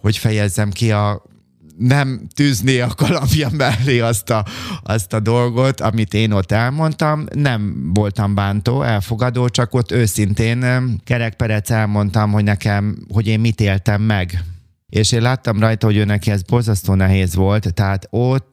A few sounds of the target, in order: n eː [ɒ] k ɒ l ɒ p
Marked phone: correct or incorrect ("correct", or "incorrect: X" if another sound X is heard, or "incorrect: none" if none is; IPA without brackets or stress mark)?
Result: correct